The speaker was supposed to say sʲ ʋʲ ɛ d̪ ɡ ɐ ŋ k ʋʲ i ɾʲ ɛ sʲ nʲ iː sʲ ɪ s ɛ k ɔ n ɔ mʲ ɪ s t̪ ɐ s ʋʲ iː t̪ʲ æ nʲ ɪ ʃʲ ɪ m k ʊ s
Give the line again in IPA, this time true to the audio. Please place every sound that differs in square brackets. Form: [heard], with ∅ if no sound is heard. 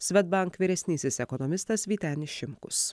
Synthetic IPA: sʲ ʋʲ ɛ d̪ [b] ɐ ŋ k ʋʲ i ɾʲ ɛ sʲ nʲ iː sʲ ɪ s ɛ k ɔ n ɔ mʲ ɪ s t̪ ɐ s ʋʲ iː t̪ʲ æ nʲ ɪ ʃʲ ɪ m k ʊ s